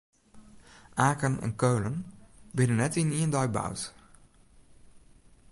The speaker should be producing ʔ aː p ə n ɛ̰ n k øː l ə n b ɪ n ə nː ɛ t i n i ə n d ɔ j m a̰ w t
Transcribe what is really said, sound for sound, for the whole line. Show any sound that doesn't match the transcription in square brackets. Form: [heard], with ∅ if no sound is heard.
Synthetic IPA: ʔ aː [k] ə n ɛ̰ n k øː l ə n b ɪ n ə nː ɛ t i n i ə n d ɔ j [b] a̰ w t